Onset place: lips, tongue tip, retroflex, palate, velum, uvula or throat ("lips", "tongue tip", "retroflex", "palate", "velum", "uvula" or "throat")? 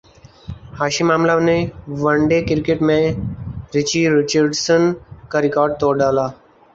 throat